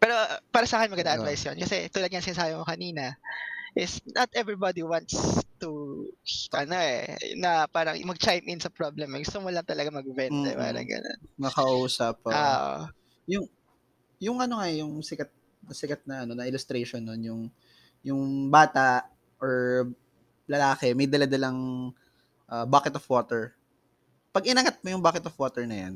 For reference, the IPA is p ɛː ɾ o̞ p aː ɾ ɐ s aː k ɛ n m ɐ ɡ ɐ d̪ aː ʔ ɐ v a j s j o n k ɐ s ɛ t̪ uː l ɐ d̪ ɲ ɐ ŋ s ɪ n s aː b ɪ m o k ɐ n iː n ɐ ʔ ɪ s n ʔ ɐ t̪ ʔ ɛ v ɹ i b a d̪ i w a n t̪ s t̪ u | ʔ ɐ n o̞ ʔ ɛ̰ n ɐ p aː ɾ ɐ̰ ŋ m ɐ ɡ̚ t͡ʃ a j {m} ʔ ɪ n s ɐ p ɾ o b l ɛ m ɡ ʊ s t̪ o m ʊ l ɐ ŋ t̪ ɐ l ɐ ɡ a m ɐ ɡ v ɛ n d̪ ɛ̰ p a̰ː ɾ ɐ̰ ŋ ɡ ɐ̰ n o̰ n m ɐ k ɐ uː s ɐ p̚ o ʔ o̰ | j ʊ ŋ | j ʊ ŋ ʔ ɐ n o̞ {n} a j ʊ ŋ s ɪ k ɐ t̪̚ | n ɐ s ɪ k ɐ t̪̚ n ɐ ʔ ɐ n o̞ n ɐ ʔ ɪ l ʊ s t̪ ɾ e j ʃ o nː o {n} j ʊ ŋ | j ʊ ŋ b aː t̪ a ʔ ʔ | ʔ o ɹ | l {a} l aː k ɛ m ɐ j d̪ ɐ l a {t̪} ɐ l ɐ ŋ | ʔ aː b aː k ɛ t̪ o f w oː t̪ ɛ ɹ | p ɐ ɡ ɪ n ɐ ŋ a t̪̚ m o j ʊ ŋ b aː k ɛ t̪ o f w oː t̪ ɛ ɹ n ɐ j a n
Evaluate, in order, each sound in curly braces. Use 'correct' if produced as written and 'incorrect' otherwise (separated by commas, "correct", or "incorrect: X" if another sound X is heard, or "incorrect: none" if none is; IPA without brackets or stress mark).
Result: correct, incorrect: ŋ, correct, incorrect: ɐ, incorrect: d̪